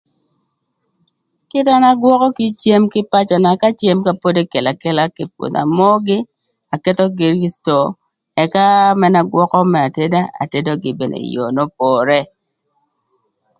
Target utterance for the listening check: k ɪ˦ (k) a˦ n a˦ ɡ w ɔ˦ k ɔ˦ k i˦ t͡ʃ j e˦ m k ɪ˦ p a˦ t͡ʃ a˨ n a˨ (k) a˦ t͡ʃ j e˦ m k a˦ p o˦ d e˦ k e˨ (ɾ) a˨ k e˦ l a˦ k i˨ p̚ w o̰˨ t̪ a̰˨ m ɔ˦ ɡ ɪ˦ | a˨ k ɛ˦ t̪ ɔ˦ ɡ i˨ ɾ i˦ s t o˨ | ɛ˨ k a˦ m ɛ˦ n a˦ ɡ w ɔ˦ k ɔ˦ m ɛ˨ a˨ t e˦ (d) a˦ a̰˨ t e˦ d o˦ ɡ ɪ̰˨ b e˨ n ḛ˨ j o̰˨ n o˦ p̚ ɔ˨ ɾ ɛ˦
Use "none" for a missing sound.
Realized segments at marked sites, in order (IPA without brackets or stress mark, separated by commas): t, k, l, d